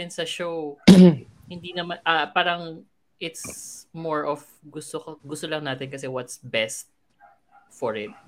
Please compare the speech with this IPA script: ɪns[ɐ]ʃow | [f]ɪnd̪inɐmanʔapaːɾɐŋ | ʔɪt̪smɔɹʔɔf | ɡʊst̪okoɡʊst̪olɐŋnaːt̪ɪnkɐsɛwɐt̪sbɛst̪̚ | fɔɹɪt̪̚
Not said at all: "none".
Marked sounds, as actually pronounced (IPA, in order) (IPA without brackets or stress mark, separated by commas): ɐ, h